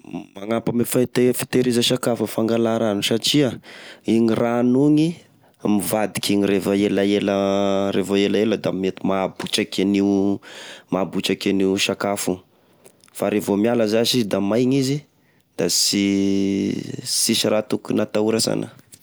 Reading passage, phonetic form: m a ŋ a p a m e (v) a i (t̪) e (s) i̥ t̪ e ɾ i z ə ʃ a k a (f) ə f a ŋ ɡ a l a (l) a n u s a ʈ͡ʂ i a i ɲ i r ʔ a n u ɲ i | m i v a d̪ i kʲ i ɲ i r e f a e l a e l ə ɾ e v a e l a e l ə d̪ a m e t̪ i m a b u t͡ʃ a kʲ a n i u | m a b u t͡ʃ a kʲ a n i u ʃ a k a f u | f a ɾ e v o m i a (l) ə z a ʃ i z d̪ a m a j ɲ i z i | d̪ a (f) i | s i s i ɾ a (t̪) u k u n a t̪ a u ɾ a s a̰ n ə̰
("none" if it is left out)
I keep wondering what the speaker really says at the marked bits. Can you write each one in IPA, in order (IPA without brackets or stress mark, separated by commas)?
f, t̪, f, f, ɾ, l, s, t̪